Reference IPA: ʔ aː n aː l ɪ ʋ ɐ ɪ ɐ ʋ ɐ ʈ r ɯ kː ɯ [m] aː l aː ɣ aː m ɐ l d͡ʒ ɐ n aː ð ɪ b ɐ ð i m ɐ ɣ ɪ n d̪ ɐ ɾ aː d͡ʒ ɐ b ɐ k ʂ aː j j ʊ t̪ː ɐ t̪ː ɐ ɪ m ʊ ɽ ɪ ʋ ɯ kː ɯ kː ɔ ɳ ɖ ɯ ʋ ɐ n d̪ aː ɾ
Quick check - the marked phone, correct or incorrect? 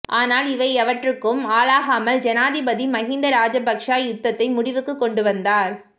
correct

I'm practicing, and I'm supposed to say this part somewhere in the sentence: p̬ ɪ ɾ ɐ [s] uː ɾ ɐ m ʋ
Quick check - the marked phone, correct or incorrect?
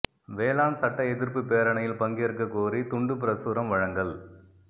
correct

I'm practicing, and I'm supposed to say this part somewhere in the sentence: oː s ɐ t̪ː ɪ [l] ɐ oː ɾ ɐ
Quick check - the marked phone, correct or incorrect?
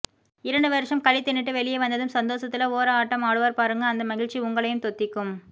correct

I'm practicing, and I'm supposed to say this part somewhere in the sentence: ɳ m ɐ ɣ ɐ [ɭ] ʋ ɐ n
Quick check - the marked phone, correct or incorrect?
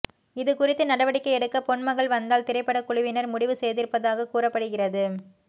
correct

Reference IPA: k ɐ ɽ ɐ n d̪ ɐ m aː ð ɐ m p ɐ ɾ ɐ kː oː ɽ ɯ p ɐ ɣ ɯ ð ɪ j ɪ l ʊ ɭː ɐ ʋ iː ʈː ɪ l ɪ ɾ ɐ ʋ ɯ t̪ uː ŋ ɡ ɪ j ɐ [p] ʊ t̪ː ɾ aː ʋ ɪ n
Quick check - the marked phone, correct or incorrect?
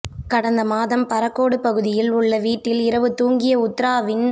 incorrect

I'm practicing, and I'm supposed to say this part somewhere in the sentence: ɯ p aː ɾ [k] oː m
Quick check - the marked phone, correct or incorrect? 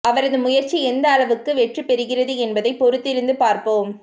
incorrect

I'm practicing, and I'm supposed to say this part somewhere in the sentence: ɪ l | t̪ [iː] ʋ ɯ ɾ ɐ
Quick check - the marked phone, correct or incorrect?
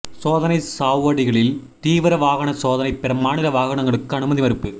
correct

